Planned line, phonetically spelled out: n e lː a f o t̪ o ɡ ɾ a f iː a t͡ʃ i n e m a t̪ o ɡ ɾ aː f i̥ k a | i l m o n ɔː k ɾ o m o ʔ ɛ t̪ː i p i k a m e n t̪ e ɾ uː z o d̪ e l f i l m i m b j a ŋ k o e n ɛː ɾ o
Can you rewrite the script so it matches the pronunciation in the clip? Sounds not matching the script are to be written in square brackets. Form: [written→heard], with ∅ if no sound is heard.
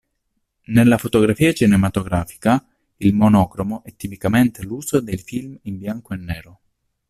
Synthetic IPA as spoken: n e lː a f o t̪ o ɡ ɾ a f iː a t͡ʃ i n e m a t̪ o ɡ ɾ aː f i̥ k a | i l m o n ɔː k ɾ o m o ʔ ɛ t̪ː i p i k a m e n t̪ e [ɾ→l] uː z o d̪ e l f i l m i m b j a ŋ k o e [n→nː] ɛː ɾ o